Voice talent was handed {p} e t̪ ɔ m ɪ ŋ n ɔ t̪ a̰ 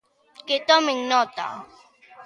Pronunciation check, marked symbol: incorrect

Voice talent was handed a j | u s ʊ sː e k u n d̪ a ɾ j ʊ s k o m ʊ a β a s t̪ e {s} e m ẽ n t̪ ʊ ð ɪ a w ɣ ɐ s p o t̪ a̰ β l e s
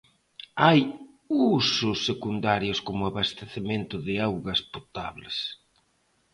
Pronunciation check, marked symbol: incorrect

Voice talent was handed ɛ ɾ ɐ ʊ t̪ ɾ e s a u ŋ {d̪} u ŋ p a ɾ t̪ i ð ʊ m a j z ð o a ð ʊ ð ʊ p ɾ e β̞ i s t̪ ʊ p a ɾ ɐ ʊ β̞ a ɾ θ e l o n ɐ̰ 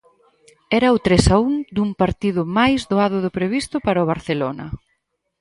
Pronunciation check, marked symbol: correct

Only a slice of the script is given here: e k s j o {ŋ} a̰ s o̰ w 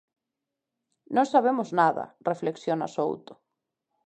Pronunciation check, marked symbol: incorrect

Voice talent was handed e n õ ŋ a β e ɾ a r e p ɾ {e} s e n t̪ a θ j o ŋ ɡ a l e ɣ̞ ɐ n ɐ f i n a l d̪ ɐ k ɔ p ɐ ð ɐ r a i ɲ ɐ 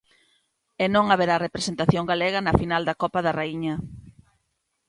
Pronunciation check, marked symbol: correct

